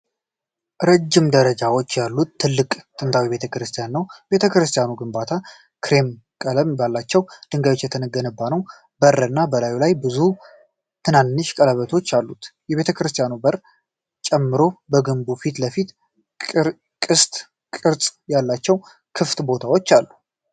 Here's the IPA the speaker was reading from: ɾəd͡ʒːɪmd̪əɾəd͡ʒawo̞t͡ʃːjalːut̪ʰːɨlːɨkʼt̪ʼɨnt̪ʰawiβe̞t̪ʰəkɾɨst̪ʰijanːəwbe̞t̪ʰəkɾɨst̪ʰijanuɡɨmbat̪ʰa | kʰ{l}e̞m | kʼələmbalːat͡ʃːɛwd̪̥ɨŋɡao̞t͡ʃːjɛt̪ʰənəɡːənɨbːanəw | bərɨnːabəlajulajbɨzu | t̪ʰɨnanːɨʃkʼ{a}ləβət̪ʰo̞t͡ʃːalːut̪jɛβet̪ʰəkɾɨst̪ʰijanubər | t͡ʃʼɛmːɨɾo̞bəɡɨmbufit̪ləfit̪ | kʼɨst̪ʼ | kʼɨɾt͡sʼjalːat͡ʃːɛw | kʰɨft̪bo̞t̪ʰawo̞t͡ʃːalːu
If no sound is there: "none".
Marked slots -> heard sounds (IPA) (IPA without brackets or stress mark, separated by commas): ɾ, ə